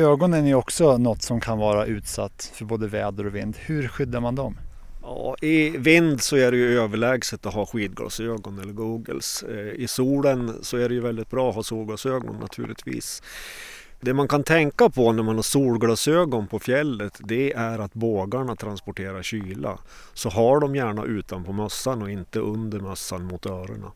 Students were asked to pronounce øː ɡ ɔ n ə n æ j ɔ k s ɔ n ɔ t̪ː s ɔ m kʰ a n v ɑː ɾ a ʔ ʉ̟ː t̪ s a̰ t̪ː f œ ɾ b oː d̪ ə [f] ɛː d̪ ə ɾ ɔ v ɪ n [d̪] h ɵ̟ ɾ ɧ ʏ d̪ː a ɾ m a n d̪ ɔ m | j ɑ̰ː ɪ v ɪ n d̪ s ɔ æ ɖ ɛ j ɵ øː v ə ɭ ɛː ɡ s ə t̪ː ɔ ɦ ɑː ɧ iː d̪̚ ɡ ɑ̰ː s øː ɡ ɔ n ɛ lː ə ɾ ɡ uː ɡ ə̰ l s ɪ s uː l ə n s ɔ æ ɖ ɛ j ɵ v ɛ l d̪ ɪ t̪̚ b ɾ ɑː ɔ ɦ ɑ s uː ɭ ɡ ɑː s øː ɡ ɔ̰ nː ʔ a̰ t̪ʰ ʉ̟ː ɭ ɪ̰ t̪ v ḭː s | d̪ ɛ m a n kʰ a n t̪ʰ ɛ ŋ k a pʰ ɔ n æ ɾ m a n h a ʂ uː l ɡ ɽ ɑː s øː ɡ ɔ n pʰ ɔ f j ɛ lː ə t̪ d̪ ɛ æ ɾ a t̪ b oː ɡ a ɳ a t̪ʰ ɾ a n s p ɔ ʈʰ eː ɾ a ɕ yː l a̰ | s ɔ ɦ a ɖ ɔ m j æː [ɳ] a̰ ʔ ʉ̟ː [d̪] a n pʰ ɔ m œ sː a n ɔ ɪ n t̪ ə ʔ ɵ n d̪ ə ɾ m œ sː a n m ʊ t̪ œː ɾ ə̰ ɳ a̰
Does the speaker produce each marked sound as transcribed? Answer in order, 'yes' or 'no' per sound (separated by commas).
no, yes, yes, no